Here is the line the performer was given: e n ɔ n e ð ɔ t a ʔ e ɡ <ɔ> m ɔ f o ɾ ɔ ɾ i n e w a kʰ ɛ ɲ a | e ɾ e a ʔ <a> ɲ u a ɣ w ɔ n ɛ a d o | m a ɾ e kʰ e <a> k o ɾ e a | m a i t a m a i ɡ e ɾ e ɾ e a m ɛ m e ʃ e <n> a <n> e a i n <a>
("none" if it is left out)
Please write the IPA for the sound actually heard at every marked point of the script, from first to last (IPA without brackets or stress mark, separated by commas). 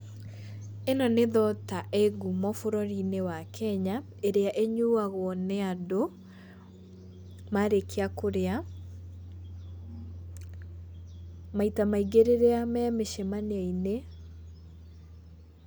u, e, a, m, n, e